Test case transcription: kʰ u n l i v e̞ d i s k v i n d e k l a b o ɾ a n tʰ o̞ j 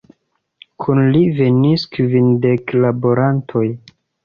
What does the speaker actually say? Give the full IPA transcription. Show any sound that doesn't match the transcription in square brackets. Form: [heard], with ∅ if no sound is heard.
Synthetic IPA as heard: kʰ u n l i v e̞ [n] i s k v i n d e k l a b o ɾ a n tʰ o̞ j